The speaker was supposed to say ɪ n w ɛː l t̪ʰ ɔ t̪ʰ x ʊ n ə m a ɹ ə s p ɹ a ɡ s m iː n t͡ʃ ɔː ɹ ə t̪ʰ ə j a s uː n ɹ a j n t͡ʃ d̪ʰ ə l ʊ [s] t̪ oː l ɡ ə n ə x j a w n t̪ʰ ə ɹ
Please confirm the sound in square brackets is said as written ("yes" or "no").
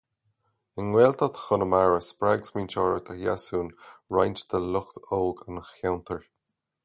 no